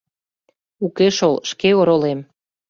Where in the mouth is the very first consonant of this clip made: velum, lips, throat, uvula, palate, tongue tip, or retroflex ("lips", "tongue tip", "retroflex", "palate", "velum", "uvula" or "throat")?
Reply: velum